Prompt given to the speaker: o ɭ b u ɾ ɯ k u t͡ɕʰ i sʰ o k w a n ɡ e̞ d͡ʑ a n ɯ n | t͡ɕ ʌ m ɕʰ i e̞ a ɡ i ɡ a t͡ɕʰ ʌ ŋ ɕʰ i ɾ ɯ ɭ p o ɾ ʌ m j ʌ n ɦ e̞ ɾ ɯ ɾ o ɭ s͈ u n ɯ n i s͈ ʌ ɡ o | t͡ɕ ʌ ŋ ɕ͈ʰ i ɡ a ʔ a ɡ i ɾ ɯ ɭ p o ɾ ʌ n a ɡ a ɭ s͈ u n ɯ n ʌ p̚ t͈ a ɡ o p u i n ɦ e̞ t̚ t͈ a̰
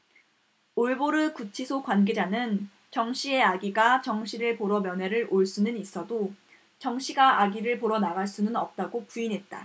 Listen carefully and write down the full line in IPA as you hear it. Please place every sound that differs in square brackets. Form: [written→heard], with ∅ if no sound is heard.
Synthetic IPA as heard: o ɭ b [u→o] ɾ ɯ k u t͡ɕʰ i sʰ o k w a n ɡ e̞ d͡ʑ a n ɯ n | t͡ɕ ʌ [m→ŋ] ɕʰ i e̞ a ɡ i ɡ a [t͡ɕʰ→t͡ɕ] ʌ ŋ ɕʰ i ɾ ɯ ɭ p o ɾ ʌ m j ʌ n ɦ e̞ ɾ ɯ ɾ o ɭ s͈ u n ɯ n i s͈ ʌ [ɡ→d] o | t͡ɕ ʌ ŋ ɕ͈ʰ i ɡ a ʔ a ɡ i ɾ ɯ ɭ p o ɾ ʌ n a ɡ a ɭ s͈ u n ɯ n ʌ p̚ t͈ a ɡ o p u i n ɦ e̞ t̚ t͈ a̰